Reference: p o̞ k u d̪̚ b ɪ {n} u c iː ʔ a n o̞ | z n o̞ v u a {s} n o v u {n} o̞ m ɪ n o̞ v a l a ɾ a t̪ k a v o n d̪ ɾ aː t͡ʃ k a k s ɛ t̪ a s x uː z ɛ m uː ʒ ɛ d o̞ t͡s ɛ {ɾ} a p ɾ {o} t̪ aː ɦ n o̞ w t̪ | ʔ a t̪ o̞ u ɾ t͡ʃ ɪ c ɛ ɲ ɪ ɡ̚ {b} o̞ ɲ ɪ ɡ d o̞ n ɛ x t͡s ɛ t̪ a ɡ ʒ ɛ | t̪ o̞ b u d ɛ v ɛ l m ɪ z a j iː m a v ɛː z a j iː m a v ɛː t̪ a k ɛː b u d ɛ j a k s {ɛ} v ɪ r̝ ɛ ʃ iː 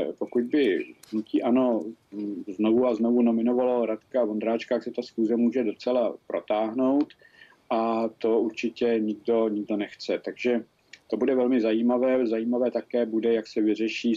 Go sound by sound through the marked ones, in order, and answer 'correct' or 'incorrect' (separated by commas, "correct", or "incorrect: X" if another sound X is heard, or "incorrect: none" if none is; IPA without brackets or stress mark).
correct, incorrect: z, correct, incorrect: l, correct, incorrect: d, correct